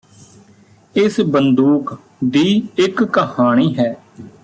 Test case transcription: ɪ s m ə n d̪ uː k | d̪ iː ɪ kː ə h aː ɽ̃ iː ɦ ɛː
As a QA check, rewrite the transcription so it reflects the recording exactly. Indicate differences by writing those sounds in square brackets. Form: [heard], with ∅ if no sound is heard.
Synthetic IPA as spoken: ɪ s [b] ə n d̪ uː k | d̪ iː ɪ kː ə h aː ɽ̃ iː ɦ ɛː